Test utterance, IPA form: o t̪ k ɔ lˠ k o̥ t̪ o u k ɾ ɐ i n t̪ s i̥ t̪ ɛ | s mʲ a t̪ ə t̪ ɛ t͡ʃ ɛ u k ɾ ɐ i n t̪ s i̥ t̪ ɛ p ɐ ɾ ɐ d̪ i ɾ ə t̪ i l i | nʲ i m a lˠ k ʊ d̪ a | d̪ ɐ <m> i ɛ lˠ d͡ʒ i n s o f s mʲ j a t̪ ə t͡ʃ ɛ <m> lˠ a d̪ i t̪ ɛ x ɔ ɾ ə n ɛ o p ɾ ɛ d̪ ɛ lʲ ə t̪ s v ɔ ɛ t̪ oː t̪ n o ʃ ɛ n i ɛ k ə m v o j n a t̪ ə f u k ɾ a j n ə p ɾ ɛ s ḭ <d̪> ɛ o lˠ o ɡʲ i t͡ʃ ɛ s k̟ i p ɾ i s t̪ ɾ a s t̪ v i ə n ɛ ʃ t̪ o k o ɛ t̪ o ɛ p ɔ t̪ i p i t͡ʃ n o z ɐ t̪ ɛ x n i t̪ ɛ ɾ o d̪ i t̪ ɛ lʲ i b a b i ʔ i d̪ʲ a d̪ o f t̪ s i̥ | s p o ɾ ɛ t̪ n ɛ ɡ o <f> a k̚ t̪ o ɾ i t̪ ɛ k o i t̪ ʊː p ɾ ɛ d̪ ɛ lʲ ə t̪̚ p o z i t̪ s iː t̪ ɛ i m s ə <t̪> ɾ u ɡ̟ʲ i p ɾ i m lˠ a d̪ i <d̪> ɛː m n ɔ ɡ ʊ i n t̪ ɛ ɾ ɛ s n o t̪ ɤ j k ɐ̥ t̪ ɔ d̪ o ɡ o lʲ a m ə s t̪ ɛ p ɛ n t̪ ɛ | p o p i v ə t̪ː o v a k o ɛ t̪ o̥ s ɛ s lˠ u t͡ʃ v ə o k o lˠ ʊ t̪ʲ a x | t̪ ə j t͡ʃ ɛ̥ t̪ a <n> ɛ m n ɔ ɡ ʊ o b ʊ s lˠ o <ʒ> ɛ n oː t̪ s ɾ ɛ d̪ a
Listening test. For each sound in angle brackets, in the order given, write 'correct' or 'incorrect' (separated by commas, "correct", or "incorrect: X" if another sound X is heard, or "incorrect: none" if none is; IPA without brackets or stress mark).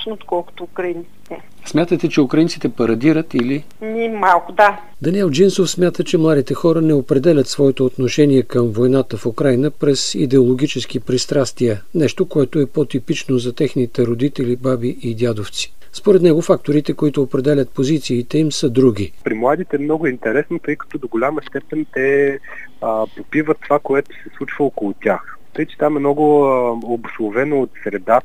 incorrect: n, correct, correct, correct, incorrect: d̪, incorrect: t̪, incorrect: m, incorrect: v